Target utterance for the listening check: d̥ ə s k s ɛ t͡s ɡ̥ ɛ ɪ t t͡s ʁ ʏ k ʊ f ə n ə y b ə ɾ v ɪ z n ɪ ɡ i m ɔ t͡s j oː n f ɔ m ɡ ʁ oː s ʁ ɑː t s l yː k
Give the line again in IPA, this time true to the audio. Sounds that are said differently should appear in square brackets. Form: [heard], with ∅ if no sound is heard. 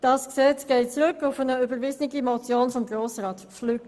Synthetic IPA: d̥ [ɑ] s k s ɛ t͡s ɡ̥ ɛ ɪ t t͡s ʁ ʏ k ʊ f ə n ə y b ə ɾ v ɪ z n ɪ ɡ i m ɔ t͡s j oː n f ɔ m ɡ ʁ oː s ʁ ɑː t [f] l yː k